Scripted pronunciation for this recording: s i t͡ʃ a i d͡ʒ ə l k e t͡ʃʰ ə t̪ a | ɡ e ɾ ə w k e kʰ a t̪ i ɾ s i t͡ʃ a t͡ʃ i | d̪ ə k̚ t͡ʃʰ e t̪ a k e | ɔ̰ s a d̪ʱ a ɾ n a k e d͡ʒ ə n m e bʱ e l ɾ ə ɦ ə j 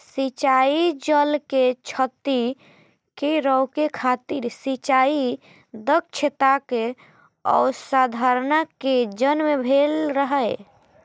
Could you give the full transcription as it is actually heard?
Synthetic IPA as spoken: s i t͡ʃ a i d͡ʒ ə l k e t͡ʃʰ ə t̪ i | k e ɾ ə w k e kʰ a t̪ i ɾ s i t͡ʃ a i | d̪ ə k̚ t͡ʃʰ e t̪ a k e | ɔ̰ s a d̪ʱ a ɾ n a k e d͡ʒ ə n m e bʱ e l ɾ ə ɦ ə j